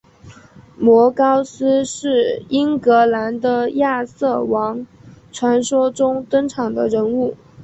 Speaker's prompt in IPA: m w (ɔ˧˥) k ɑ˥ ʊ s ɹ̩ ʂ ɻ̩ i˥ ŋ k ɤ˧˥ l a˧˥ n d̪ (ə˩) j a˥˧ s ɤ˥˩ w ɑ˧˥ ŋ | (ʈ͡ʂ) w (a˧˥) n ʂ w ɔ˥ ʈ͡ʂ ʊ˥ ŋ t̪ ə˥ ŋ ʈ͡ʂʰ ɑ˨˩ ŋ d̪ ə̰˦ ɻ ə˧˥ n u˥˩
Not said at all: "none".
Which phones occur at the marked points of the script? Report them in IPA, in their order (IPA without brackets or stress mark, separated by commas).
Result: ɔ˧˥, ə˧, ʈ͡ʂʰ, a˧˥